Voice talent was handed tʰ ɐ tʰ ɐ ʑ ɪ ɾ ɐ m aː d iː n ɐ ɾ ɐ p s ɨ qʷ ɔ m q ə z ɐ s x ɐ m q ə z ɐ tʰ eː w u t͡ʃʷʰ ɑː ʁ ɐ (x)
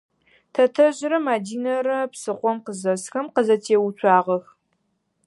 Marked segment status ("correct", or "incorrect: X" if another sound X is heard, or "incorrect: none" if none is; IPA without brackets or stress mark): correct